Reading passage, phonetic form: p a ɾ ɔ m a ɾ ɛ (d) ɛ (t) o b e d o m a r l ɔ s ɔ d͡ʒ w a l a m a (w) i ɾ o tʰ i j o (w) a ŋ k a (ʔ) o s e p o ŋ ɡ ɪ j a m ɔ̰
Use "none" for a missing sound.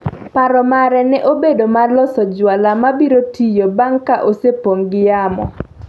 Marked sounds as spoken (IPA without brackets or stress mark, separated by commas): n, ʔ, b, b, ʔ